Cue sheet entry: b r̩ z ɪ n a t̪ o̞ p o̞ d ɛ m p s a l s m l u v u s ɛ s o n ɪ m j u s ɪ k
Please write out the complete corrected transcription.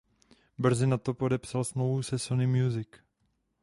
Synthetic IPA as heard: b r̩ z ɪ n a t̪ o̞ p o̞ d ɛ p s a l s m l o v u s ɛ s o n ɪ m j u z ɪ k